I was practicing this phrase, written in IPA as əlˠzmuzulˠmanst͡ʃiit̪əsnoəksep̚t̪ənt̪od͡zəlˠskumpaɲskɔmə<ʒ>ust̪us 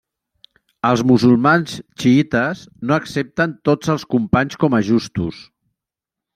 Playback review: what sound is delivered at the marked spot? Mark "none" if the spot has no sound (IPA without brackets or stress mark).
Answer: ʒ